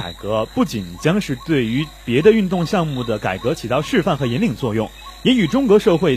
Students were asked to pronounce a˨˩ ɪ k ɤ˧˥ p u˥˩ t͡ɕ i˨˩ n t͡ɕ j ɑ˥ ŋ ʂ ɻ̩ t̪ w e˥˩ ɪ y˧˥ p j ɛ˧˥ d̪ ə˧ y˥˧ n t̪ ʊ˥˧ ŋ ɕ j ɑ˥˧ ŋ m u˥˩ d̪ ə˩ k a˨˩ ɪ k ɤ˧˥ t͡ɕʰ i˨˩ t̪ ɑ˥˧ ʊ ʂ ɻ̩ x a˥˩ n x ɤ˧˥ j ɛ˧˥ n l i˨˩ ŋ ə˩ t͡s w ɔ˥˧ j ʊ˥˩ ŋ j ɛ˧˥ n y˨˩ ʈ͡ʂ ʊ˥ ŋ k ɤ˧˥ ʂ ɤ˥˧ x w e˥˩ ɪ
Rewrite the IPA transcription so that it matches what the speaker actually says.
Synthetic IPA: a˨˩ ɪ k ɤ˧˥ p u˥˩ t͡ɕ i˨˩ n t͡ɕ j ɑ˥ ŋ ʂ ɻ̩ t̪ w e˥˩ ɪ y˧˥ p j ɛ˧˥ d̪ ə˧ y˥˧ n t̪ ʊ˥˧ ŋ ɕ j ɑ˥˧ ŋ m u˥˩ d̪ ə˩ k a˨˩ ɪ k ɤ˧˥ t͡ɕʰ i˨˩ t̪ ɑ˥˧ ʊ ʂ ɻ̩ f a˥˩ n x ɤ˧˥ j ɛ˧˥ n l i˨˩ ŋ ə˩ t͡s w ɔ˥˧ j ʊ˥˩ ŋ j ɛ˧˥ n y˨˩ ʈ͡ʂ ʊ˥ ŋ k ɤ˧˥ ʂ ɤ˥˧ x w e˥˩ ɪ